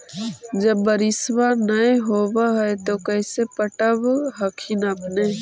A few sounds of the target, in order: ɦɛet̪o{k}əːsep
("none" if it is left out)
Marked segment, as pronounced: k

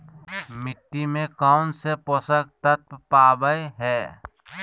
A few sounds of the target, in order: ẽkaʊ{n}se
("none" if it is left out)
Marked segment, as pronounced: n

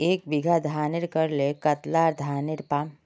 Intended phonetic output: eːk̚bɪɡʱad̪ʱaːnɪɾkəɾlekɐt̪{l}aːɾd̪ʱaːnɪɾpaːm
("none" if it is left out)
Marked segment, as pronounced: l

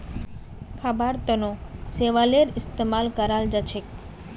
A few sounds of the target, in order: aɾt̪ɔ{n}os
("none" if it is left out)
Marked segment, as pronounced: n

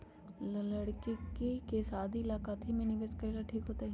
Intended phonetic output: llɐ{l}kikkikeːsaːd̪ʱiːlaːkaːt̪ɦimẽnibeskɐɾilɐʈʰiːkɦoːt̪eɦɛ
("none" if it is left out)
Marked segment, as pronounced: ɽ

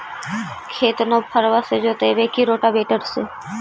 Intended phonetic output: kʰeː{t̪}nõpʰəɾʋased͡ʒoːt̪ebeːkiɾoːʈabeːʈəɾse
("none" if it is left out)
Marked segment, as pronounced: t̪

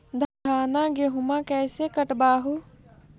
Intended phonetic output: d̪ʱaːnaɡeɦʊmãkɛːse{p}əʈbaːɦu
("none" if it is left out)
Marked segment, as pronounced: k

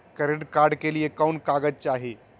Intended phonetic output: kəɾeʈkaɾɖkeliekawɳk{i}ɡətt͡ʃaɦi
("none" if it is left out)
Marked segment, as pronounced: a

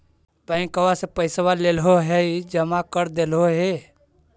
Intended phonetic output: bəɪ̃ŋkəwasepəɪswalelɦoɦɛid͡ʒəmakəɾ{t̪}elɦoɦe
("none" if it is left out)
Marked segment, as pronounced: d̪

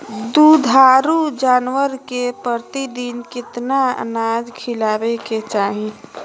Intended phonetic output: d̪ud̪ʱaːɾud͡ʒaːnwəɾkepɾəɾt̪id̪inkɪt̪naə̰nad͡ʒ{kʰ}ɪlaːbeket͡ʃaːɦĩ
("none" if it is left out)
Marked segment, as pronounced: kʰ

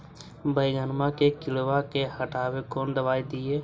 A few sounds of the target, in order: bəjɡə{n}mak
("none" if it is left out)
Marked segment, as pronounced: n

